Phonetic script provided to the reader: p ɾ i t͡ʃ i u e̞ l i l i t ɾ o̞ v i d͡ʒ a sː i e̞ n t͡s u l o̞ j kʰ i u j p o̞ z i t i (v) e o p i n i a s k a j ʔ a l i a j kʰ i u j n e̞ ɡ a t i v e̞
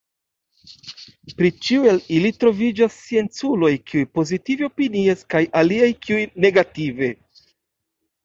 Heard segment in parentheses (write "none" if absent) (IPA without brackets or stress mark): v